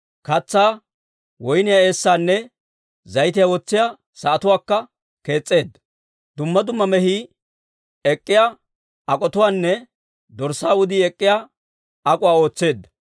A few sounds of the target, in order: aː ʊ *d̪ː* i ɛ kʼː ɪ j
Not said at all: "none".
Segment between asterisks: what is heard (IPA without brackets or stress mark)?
d̪